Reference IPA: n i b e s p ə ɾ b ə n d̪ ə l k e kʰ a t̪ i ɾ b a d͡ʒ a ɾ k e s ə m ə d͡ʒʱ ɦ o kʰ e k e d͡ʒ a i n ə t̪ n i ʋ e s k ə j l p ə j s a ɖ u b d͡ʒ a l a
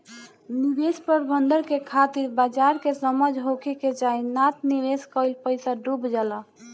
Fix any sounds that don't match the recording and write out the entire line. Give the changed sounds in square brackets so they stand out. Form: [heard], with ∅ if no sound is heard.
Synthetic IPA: n i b e s p ə ɾ b ə n d̪ ə [ɾ] k e kʰ a t̪ i ɾ b a d͡ʒ a ɾ k e s ə m ə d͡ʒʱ ɦ o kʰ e k e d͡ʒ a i n [a] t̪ n i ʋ e s k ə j l p ə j s a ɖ u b d͡ʒ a l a